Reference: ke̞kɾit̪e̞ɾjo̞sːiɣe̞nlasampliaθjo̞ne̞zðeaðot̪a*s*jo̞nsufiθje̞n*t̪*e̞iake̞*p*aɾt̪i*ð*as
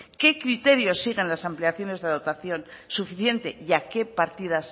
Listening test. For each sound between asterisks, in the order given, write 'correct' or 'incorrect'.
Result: incorrect: θ, correct, correct, correct

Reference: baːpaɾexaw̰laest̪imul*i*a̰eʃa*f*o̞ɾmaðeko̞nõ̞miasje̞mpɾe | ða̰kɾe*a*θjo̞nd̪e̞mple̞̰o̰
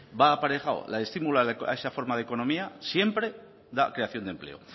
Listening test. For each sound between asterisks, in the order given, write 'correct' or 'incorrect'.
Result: incorrect: a, correct, correct

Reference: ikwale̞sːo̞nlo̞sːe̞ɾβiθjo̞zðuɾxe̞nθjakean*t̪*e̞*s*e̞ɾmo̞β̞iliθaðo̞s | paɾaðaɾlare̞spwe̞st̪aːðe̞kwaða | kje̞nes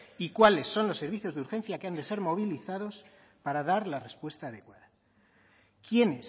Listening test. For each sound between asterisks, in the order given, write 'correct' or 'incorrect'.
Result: incorrect: d̪, correct

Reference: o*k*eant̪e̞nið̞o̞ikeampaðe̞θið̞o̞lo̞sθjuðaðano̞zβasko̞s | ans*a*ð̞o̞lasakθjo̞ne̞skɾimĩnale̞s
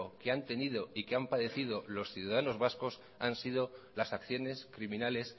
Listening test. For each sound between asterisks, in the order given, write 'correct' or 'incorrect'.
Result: correct, incorrect: i

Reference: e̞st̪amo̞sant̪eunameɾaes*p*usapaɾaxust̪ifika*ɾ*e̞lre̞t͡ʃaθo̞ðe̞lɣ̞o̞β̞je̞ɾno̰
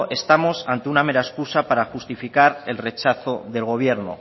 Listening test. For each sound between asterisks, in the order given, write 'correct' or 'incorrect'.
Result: incorrect: k, correct

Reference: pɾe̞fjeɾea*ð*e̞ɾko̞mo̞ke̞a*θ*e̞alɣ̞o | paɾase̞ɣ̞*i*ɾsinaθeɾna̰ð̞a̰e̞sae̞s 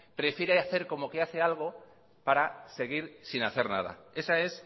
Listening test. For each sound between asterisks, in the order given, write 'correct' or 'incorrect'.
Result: incorrect: θ, correct, correct

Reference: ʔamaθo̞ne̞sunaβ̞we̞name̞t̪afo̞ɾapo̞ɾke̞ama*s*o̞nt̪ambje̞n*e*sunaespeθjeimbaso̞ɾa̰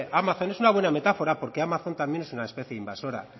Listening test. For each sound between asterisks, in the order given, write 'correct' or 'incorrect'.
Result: incorrect: θ, correct

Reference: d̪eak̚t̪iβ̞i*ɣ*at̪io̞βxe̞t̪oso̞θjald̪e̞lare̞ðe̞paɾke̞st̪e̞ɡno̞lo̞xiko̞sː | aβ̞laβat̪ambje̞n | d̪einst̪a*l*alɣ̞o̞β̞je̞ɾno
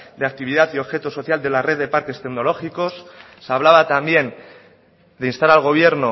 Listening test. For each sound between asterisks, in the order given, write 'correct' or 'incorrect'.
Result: incorrect: ð, incorrect: ɾ

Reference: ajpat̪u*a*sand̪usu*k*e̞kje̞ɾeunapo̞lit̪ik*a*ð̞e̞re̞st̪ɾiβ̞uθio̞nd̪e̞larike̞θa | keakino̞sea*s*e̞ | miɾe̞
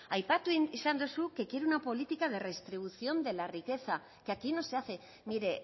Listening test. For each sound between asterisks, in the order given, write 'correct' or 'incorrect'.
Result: incorrect: i, correct, correct, incorrect: θ

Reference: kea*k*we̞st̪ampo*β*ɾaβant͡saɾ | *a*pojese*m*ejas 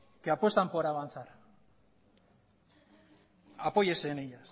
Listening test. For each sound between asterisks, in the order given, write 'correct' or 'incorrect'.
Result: incorrect: p, incorrect: none, correct, incorrect: n

